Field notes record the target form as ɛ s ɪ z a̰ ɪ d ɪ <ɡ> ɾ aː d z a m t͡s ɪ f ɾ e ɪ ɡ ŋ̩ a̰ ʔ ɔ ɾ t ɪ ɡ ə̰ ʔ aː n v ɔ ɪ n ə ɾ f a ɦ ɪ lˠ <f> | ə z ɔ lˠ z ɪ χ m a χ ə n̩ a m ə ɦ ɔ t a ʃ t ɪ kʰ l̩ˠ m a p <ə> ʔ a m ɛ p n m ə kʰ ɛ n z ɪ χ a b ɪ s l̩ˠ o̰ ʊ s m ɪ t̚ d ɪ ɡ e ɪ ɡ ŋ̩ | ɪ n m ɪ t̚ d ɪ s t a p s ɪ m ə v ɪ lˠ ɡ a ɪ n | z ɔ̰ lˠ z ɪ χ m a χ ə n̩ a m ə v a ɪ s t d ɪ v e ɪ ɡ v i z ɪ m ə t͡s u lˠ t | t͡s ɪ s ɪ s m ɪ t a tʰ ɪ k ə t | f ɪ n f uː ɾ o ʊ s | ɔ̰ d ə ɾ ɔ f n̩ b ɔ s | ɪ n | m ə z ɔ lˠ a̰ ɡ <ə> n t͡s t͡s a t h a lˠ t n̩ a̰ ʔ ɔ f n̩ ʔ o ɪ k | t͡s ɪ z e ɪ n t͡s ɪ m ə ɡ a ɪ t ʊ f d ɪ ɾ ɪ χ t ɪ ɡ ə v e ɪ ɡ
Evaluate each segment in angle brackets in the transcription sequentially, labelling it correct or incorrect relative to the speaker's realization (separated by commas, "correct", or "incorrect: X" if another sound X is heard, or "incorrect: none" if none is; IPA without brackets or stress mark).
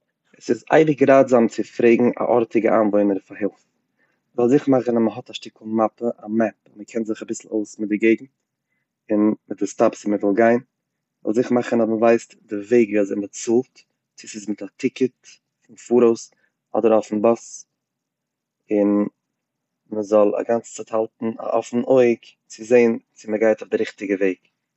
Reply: correct, correct, correct, incorrect: a